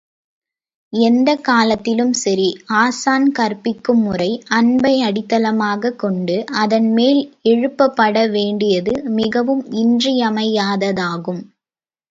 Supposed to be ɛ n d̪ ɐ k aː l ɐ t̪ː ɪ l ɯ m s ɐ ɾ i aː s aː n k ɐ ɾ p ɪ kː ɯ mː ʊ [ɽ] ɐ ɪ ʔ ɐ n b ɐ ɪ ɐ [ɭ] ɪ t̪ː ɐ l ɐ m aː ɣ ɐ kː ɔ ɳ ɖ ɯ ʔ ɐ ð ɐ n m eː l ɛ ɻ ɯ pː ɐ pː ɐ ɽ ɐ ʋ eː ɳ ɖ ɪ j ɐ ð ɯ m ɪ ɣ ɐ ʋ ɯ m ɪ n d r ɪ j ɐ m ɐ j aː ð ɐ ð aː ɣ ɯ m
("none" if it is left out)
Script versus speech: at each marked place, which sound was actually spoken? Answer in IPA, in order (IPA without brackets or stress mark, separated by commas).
r, ɽ